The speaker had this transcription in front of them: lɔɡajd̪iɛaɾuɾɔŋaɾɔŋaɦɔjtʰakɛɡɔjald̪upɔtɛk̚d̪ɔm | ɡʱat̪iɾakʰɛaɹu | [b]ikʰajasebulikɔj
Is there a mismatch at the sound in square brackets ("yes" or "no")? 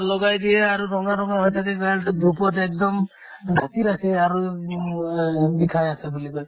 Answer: no